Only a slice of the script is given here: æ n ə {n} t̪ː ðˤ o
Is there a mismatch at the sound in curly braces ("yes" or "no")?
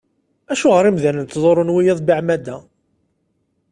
no